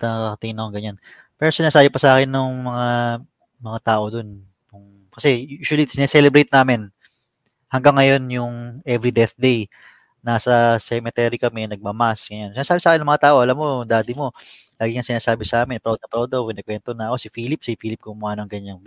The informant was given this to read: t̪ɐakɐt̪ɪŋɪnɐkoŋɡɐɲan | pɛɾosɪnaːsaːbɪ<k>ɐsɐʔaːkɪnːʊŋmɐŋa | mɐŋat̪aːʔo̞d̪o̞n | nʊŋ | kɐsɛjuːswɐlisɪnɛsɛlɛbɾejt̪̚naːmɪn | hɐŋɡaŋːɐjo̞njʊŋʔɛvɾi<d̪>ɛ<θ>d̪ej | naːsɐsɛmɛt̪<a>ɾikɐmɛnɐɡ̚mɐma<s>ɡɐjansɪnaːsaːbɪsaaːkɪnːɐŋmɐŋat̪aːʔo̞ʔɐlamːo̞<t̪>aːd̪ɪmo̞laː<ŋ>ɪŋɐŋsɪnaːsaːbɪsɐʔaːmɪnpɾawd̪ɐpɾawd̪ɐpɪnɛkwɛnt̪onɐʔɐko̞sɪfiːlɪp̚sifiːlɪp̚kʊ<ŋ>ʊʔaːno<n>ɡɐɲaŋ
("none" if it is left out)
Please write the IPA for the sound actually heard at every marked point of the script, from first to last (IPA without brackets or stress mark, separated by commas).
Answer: p, d̪, θ, ɛ, s, d̪, ɡ, m, ŋ